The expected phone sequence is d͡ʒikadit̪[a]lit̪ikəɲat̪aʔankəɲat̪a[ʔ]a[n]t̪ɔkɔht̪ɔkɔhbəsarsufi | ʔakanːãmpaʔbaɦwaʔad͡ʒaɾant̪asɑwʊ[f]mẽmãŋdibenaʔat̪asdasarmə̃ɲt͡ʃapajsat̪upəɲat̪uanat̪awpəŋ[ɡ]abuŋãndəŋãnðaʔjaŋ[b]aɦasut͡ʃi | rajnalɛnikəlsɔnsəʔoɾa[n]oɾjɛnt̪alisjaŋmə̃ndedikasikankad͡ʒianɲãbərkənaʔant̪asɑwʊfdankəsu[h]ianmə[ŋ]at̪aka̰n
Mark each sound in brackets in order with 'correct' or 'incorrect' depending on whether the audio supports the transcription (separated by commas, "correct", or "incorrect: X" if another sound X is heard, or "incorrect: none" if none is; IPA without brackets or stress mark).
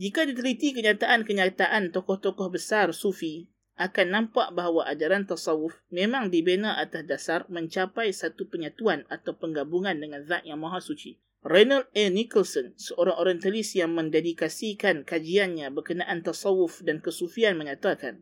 incorrect: ə, correct, correct, correct, correct, incorrect: m, incorrect: ŋ, incorrect: f, incorrect: ɲ